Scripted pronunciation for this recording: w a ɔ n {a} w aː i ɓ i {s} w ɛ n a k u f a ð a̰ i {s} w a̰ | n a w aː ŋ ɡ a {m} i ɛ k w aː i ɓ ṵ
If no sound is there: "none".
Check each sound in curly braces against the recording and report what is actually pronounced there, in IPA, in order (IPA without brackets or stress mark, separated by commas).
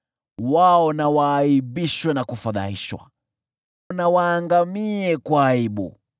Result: a, ʃ, ʃ, m